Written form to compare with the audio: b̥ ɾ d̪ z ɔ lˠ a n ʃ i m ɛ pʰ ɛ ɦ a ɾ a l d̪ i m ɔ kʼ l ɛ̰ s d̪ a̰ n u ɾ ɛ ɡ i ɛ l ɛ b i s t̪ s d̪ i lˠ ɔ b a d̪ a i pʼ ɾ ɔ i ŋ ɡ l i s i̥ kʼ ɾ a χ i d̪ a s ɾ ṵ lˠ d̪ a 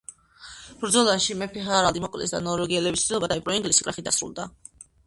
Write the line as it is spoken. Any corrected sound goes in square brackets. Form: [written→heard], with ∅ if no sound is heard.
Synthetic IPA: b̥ ɾ d̪ z ɔ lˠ a n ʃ i m ɛ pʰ ɛ ɦ a ɾ a l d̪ i m ɔ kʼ l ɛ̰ s d̪ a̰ n [u→ɔ] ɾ ɛ ɡ i ɛ l ɛ b i s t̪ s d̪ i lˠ ɔ b a d̪ a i pʼ ɾ ɔ i ŋ ɡ l i s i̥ kʼ ɾ a χ i d̪ a s ɾ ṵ lˠ d̪ a

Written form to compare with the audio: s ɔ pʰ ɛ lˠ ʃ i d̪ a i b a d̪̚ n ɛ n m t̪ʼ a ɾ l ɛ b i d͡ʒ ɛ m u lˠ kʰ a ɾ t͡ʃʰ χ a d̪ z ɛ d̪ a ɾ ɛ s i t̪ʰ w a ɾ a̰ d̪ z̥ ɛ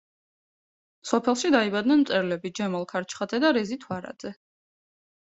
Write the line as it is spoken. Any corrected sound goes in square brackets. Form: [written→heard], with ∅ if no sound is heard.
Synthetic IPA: s ɔ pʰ ɛ lˠ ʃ i d̪ a i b a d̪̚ n ɛ n m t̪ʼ [a→ɛ] ɾ l ɛ b i d͡ʒ ɛ m [u→ɔ] lˠ kʰ a ɾ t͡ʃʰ χ a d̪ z ɛ d̪ a ɾ ɛ [s→z] i t̪ʰ w a ɾ a̰ d̪ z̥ ɛ

